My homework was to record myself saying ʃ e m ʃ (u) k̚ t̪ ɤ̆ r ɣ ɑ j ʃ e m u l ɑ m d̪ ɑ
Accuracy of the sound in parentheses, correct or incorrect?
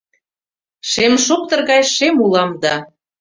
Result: incorrect